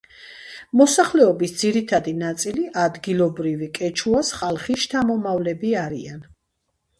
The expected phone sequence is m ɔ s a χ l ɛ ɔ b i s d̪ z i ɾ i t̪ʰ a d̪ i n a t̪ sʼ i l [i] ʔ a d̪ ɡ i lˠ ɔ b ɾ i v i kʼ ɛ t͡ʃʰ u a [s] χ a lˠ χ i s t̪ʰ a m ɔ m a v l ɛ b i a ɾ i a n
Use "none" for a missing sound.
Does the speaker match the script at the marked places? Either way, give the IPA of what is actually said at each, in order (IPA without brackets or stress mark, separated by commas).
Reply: i, s